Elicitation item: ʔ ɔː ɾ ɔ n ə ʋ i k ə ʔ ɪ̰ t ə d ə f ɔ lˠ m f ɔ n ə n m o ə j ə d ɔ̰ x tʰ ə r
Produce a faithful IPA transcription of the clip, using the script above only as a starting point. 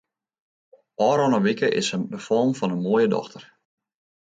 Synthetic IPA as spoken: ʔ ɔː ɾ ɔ n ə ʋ i k ə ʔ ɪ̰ s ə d ə f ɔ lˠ m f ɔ n ə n m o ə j ə d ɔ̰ x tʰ ə r